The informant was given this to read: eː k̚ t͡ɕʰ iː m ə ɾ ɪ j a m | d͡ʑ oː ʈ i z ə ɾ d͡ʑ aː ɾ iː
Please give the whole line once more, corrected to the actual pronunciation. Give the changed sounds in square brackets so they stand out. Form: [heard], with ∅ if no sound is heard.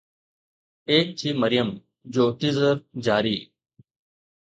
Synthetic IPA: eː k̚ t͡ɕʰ iː m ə ɾ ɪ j [ə] m | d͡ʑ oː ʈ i z ə ɾ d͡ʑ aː ɾ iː